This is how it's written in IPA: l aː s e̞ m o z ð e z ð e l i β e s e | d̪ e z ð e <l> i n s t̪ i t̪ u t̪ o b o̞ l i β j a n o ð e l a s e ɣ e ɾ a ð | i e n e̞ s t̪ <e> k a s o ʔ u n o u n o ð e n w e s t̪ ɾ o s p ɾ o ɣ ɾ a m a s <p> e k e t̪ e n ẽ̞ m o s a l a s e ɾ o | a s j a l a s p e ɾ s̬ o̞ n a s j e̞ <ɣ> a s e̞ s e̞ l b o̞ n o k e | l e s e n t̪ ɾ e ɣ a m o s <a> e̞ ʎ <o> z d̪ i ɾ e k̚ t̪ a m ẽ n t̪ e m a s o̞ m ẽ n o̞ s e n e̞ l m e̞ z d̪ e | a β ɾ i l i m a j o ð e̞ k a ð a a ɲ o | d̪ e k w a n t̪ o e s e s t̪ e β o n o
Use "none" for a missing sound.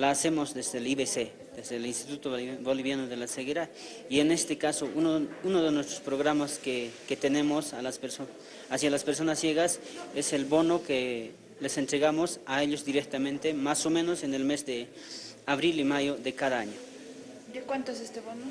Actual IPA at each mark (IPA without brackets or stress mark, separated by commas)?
l, e, k, ɣ, a, o